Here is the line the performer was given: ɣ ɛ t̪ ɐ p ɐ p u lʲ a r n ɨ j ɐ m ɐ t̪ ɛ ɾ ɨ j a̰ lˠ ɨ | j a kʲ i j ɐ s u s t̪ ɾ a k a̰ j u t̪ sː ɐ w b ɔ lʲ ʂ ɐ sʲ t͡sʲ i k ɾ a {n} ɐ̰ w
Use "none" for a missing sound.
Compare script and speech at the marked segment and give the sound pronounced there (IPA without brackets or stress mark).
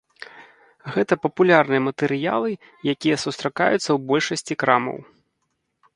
m